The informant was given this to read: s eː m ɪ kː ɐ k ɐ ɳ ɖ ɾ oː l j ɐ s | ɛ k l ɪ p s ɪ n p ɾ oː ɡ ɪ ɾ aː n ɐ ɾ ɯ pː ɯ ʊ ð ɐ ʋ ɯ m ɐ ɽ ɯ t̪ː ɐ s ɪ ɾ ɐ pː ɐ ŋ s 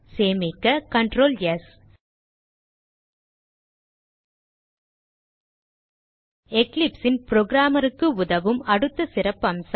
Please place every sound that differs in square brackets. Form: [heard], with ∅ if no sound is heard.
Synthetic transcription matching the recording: s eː m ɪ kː ɐ k ɐ ɳ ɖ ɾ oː l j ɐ s | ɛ k l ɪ p s ɪ n p ɾ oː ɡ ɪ ɾ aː [m] ɐ ɾ ɯ [kː] ɯ ʊ ð ɐ ʋ ɯ m ɐ ɽ ɯ t̪ː ɐ s ɪ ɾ ɐ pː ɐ [m] s